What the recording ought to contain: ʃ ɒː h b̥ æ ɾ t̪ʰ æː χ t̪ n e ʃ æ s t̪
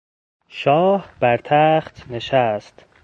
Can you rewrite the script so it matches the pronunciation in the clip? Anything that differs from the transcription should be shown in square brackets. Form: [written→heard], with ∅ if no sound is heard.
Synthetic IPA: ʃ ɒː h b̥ æ ɾ t̪ʰ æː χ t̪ n e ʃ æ s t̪